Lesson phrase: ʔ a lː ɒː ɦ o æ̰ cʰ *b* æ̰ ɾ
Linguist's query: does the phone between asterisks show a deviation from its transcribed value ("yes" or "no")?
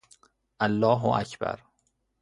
no